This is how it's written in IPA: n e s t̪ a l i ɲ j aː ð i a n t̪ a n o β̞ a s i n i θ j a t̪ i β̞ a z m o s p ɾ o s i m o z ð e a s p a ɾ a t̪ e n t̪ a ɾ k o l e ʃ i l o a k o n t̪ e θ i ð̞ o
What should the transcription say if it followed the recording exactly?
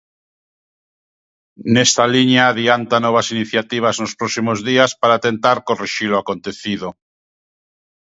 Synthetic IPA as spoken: n e s t̪ a l i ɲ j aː ð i a n t̪ a n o β̞ a s i n i θ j a t̪ i β̞ a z n o s p ɾ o s i m o z ð i a s p a ɾ a t̪ e n t̪ a ɾ k o r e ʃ i l o a k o n t̪ e θ i ð̞ o